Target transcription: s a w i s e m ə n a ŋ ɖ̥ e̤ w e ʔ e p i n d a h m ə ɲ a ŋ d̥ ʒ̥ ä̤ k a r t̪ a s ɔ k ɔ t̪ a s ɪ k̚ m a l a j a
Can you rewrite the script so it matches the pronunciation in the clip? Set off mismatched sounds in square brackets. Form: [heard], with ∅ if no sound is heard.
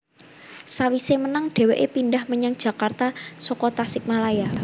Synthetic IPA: s a w i s e m ə n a ŋ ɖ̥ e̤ w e ʔ e p i n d a h m ə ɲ a ŋ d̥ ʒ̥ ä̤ k a r t̪ a s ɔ k ɔ t̪ a s ɪ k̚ m a l a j a